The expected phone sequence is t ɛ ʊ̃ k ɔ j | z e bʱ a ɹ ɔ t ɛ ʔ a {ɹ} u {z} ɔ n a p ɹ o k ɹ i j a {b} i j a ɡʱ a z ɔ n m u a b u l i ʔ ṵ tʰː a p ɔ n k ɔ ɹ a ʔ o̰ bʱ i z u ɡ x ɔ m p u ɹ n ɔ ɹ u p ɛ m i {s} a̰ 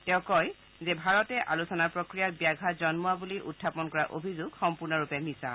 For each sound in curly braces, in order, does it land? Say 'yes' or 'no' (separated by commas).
no, no, yes, yes